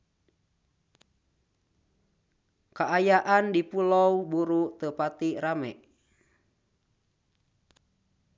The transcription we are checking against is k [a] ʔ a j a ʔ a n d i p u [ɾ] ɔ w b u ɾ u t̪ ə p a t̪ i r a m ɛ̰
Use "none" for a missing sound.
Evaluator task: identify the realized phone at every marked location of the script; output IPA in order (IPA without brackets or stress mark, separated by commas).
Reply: a, l